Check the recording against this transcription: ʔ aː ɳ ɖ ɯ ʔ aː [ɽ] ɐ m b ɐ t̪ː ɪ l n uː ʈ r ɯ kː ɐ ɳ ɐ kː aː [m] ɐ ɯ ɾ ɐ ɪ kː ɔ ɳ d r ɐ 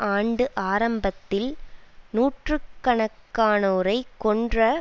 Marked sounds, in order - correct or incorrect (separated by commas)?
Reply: incorrect, incorrect